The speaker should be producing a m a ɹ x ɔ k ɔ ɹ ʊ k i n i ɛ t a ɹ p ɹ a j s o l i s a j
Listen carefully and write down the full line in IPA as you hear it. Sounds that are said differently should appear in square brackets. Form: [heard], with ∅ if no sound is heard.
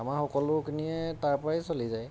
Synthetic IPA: a m a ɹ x ɔ k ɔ [l] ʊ k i n i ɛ t a ɹ p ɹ a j s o l i [z] a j